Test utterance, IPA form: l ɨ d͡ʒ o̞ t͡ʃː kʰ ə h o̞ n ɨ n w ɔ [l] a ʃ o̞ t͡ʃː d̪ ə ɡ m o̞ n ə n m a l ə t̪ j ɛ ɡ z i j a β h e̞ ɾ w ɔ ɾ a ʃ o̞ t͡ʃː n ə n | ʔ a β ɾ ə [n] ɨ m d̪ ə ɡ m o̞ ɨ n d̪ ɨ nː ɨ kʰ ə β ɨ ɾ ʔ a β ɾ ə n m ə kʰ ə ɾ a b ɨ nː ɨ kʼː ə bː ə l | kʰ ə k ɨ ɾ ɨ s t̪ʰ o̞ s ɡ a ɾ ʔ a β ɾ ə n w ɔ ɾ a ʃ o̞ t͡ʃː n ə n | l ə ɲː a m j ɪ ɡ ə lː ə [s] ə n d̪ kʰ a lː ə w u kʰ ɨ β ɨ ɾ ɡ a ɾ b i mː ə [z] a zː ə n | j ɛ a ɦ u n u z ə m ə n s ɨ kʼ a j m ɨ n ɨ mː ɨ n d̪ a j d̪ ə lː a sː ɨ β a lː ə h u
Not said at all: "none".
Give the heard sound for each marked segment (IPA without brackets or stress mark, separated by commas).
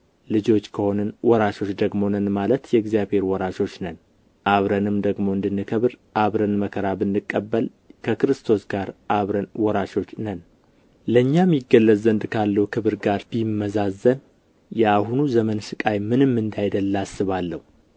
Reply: ɾ, n, z, z